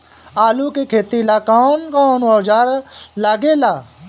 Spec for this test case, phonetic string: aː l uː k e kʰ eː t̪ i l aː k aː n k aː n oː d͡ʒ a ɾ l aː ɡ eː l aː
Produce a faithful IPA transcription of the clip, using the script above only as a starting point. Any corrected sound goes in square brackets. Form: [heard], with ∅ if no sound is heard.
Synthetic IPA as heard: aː l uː k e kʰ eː t̪ i l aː k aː n k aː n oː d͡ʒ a ɾ l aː ɡ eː l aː